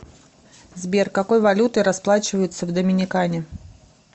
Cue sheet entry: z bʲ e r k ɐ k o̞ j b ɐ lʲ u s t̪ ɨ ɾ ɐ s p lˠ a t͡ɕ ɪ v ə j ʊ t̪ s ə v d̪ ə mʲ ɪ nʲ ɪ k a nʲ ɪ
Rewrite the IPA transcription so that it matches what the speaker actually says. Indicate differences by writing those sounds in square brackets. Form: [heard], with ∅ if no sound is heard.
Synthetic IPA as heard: z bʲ e r k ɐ k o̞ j [v] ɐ lʲ u [∅] t̪ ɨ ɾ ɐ s p lˠ a t͡ɕ ɪ v ə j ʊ t̪ s ə v d̪ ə mʲ ɪ nʲ ɪ k a nʲ ɪ